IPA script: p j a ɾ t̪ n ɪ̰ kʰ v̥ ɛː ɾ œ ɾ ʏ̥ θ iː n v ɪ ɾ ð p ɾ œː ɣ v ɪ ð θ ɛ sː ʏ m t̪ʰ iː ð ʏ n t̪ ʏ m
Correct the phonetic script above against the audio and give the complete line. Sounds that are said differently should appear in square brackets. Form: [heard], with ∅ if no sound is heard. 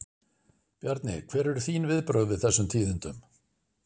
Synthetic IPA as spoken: p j a ɾ t̪ n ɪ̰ kʰ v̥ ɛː ɾ [ɛ] ɾ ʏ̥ θ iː n v ɪ [∅] ð p ɾ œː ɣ v ɪ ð θ ɛ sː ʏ m t̪ʰ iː ð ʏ n t̪ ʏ m